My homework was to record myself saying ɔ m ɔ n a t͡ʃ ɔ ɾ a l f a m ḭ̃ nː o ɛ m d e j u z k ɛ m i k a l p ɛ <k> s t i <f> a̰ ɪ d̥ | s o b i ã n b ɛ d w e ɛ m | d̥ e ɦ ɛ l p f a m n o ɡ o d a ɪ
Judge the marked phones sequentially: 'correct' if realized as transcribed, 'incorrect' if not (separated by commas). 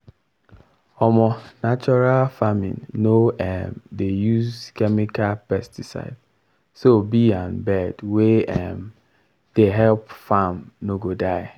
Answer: incorrect, incorrect